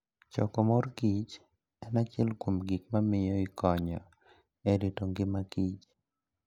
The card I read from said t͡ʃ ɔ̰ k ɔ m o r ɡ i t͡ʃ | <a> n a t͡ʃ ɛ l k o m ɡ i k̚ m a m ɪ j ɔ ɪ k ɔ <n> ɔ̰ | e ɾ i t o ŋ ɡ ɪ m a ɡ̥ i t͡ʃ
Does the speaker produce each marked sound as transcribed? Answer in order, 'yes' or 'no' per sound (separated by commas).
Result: no, no